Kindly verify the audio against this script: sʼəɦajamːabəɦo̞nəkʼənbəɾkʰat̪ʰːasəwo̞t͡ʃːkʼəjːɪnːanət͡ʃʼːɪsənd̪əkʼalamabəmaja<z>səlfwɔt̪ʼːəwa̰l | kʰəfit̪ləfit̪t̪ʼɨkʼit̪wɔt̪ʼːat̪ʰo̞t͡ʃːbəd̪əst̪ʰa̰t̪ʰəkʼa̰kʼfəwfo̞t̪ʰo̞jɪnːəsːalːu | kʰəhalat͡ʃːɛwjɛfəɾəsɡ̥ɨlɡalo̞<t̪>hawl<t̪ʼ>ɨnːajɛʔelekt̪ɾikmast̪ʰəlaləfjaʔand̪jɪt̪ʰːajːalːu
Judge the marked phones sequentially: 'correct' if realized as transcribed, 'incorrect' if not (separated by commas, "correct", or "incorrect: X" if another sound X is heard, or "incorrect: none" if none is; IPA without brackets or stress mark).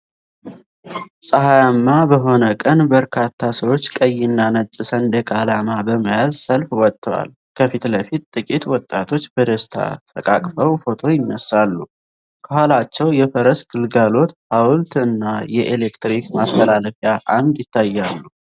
correct, correct, incorrect: t̪